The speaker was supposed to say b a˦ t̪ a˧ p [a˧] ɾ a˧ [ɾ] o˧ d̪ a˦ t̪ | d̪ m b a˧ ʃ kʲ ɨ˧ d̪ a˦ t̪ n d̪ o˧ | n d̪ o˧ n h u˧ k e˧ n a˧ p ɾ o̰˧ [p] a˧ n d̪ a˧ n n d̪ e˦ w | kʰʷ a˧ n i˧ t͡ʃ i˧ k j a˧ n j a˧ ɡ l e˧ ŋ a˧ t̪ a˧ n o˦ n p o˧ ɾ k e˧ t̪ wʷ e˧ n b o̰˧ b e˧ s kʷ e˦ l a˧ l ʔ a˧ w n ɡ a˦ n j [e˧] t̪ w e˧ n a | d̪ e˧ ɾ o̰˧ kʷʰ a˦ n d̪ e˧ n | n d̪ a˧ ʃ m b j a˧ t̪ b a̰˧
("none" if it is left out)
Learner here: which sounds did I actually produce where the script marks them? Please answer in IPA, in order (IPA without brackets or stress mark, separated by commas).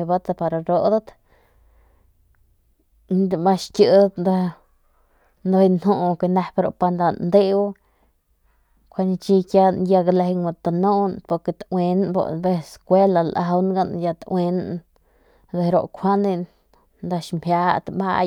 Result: a˧, ɾ, p, a˧